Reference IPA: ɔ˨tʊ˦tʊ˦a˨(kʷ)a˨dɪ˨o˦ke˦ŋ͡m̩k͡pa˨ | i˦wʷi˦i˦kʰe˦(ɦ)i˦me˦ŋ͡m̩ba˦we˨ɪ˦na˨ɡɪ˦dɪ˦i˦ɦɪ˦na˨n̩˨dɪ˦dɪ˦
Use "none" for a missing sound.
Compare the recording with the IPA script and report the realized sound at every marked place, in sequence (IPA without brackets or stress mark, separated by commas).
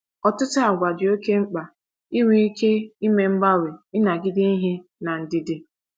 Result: ɡʷ, none